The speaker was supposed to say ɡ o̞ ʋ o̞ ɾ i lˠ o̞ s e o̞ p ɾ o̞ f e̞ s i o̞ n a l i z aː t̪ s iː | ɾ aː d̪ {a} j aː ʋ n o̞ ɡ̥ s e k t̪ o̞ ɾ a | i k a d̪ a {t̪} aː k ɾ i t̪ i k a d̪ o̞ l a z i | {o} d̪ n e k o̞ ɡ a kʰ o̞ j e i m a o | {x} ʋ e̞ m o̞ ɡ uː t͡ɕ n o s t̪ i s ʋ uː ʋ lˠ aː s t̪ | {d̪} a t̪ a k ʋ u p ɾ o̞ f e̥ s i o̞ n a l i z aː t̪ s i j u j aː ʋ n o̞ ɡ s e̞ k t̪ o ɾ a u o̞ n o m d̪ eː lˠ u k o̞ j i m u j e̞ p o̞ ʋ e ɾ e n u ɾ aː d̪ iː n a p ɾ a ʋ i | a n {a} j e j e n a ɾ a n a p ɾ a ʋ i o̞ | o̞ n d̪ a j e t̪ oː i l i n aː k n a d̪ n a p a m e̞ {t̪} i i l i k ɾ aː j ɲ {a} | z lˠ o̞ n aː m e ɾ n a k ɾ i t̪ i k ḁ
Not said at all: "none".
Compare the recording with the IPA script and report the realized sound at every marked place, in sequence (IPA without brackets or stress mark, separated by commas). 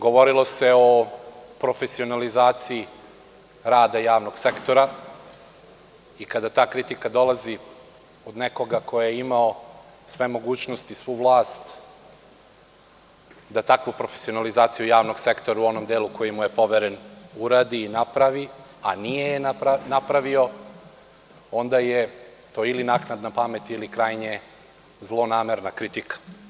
a, t̪, o, s, d̪, i, t̪, e